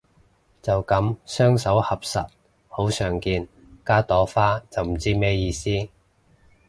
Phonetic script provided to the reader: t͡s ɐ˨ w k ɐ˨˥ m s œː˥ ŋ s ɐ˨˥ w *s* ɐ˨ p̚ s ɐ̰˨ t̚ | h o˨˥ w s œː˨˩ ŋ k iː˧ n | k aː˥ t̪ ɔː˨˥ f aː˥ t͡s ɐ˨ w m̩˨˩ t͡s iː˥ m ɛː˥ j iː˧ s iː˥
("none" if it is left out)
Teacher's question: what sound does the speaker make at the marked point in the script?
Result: h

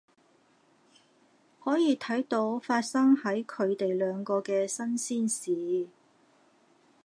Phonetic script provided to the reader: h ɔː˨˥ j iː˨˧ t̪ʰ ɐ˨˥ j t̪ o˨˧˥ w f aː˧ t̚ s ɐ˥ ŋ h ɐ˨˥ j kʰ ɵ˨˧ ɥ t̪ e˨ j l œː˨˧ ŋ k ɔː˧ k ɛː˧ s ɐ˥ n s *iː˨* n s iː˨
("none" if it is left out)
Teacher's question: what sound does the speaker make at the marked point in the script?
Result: iː˥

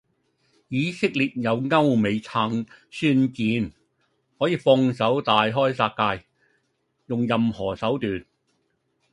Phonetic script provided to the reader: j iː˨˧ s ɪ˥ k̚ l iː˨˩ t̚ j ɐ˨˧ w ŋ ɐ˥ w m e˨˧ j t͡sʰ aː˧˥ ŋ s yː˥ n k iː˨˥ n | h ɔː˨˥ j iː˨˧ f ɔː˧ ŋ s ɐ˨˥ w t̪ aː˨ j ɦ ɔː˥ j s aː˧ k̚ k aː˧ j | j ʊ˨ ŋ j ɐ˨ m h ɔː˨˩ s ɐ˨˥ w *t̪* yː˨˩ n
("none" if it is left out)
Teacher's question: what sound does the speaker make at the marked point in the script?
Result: t̪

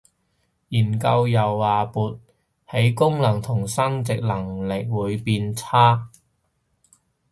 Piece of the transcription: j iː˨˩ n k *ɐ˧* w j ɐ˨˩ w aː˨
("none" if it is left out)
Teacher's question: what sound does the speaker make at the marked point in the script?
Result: ɐ˧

